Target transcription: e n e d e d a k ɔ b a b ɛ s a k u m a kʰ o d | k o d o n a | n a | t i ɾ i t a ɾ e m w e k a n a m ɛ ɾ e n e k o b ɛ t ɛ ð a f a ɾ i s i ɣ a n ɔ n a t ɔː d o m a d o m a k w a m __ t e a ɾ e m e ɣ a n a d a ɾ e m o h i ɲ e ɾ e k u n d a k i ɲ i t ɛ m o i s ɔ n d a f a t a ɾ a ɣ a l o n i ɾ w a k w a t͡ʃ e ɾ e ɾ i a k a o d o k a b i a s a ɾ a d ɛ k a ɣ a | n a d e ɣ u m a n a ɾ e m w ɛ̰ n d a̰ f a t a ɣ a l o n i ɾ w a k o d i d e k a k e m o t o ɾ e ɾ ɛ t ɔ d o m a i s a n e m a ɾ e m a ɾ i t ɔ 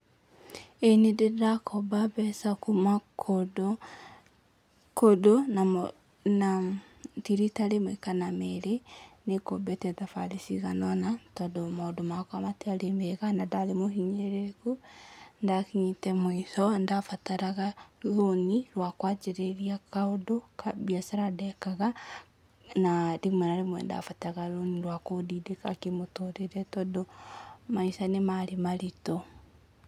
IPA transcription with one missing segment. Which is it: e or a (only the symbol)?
a